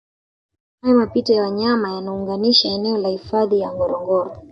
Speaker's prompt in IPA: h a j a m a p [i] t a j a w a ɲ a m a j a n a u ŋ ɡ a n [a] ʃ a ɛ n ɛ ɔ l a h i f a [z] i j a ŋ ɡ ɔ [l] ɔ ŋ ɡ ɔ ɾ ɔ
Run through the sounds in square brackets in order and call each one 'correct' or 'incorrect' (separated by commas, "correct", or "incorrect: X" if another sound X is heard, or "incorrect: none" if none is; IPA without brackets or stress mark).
correct, incorrect: i, incorrect: ð, incorrect: ɾ